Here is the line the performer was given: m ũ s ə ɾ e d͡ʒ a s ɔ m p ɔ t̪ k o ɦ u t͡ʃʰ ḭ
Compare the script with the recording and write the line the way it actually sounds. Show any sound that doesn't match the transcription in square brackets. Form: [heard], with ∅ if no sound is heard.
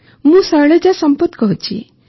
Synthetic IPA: m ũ s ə [ɭ] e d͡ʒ a s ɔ m p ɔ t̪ k [ɔ] ɦ u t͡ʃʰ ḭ